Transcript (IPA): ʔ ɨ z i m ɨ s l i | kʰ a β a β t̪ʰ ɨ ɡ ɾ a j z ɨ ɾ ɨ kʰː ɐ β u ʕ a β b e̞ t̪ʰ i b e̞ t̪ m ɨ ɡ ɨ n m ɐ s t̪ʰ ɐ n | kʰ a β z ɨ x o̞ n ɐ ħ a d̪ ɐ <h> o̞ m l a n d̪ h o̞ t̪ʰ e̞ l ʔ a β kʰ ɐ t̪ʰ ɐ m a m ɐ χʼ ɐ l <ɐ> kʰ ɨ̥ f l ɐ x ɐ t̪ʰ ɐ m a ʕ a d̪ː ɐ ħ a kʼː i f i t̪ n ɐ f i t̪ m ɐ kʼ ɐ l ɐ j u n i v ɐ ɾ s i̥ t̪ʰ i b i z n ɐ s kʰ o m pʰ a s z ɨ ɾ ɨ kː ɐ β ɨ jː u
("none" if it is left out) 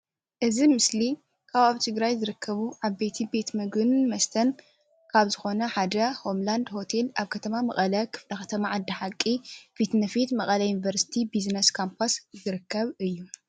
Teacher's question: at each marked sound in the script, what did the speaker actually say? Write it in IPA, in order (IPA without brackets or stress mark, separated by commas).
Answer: h, ɐ